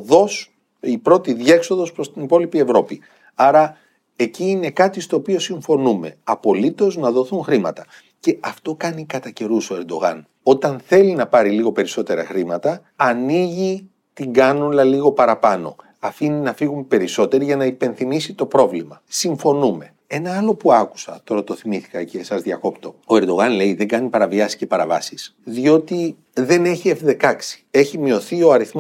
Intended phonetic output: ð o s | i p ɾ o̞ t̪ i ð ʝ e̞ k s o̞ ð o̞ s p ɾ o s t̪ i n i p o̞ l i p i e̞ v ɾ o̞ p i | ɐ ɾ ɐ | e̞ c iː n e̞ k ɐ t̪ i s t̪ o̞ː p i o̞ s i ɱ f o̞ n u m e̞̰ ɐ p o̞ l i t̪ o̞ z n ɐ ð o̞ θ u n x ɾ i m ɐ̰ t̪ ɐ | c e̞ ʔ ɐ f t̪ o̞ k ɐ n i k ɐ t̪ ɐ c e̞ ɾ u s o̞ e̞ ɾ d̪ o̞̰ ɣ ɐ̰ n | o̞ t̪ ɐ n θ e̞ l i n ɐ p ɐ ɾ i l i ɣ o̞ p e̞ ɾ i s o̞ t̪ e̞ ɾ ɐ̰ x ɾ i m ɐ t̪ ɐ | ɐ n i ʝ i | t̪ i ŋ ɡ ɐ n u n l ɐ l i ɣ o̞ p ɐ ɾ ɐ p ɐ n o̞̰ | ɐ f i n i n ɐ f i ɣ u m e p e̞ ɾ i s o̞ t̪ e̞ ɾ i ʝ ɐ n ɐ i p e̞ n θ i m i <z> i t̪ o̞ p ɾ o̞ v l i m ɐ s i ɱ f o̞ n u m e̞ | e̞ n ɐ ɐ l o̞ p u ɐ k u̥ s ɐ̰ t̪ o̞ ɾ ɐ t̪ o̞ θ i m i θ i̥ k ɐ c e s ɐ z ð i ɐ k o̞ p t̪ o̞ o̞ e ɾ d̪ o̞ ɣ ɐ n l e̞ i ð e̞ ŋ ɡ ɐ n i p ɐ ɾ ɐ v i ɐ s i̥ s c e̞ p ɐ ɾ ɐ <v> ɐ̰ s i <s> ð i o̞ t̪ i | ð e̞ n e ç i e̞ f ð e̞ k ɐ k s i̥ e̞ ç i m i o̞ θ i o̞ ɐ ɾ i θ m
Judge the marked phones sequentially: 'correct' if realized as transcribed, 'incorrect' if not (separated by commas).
incorrect, correct, correct